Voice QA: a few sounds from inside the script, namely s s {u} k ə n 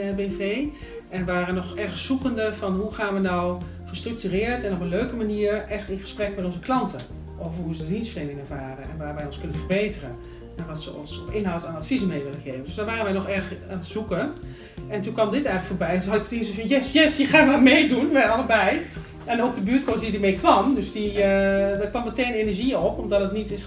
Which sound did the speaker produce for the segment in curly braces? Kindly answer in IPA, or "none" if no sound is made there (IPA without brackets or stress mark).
u